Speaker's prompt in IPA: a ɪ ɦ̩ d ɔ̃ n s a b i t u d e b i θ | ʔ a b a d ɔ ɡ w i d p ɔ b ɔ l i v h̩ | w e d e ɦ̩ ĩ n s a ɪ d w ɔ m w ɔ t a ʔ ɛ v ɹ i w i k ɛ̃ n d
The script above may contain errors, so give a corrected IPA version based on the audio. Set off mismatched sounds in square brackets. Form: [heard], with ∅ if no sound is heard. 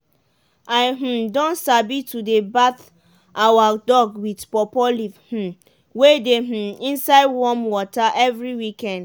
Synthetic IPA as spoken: a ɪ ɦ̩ d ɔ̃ n s a b i t u d e b [a] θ | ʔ a [w] a d ɔ ɡ w i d p ɔ [p] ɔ l i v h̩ | w e d e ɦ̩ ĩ n s a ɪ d w ɔ m w ɔ t a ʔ ɛ v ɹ i w i k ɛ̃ n d